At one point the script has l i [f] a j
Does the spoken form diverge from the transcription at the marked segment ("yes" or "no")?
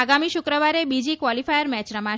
no